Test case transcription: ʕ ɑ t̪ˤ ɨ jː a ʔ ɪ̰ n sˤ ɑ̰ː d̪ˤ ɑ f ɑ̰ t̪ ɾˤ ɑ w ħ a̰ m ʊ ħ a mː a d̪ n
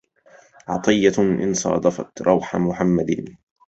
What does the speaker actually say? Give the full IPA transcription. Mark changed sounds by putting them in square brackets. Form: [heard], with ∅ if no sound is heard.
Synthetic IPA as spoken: ʕ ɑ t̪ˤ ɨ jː a ʔ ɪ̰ n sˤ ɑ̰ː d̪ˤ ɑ f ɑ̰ t̪ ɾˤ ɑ w ħ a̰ m ʊ ħ a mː a d̪ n